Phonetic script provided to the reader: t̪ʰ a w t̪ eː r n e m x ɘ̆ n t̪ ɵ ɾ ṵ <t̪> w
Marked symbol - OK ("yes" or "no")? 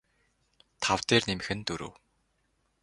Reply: no